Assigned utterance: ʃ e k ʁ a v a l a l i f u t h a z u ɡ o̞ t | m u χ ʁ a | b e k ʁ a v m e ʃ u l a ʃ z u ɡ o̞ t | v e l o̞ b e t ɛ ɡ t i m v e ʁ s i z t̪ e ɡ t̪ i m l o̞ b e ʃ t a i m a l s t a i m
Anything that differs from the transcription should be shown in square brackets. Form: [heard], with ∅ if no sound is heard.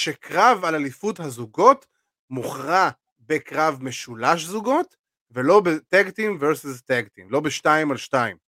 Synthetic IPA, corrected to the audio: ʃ e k ʁ a v a l a l i f u t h a z u ɡ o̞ t | m u χ ʁ a | b e k ʁ a v m e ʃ u l a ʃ z u ɡ o̞ t | v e l o̞ b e t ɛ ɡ t i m v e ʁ s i z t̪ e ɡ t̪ i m l o̞ b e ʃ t a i m a l [ʃ] t a i m